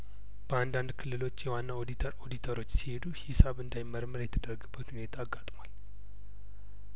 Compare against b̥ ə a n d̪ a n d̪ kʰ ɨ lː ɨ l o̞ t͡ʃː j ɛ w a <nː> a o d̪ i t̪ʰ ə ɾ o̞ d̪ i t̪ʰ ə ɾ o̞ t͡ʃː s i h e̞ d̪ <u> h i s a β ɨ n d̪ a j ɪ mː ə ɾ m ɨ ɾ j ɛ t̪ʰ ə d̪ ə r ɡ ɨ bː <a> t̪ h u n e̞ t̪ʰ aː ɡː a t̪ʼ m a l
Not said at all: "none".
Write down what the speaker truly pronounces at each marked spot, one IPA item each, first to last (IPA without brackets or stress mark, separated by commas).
nː, u, ə